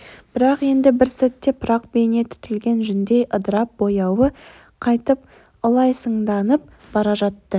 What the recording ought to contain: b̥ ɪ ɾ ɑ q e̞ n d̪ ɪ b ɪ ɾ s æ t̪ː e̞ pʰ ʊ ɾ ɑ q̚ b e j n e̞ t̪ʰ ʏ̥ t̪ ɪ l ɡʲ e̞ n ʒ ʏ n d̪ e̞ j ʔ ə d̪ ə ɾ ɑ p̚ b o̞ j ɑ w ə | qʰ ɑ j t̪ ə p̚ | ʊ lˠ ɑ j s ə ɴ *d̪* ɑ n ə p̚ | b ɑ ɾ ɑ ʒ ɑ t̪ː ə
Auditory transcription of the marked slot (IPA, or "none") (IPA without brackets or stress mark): d̪